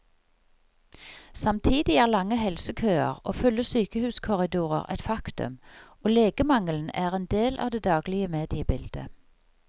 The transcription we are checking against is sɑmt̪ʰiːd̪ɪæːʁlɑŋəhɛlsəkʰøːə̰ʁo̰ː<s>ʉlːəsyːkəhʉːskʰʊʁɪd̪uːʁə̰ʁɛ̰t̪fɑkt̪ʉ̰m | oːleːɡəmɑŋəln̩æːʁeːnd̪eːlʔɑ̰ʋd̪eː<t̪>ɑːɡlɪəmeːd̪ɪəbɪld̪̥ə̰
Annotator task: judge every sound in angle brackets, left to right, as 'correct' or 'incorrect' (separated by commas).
incorrect, incorrect